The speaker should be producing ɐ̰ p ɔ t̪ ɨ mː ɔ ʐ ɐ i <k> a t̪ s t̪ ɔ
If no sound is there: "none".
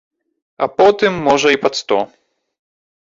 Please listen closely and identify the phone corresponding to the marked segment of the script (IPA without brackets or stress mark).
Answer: p